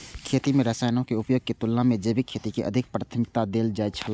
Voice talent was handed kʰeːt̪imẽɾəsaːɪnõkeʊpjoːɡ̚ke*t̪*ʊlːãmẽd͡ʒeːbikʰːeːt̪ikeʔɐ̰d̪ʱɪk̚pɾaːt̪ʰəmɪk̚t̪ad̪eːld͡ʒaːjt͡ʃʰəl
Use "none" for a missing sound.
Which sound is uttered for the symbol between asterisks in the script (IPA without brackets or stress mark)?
t̪